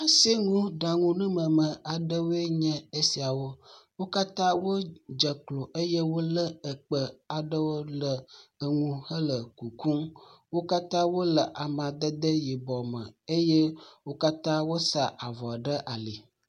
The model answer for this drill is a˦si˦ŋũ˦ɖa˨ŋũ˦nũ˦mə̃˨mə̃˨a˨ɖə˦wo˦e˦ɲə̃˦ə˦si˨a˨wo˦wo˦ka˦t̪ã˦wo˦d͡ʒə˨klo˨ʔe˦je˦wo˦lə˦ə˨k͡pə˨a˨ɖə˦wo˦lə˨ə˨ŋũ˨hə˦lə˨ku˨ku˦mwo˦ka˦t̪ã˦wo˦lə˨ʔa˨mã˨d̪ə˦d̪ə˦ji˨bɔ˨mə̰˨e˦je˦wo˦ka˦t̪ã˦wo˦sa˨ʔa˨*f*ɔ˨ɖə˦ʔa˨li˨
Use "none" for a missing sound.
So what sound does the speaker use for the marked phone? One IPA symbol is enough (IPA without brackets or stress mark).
v